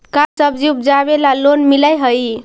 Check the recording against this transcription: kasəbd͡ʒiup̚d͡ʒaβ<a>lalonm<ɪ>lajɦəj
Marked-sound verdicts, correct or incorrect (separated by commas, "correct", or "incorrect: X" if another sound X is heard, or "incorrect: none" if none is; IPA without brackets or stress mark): incorrect: e, incorrect: i